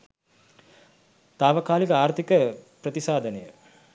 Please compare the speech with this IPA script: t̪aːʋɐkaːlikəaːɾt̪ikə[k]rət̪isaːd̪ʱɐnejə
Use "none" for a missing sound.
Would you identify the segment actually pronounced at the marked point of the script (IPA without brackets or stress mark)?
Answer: p